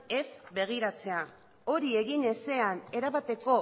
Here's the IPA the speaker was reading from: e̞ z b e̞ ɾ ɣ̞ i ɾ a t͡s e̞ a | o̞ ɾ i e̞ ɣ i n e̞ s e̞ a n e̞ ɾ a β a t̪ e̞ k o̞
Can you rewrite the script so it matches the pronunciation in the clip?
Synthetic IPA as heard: e̞ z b e̞ ɣ̞ i ɾ a t͡s e̞ a | o̞ ɾ i e̞ ɣ i n e̞ s e̞ a n e̞ ɾ a β a t̪ e̞ k o̞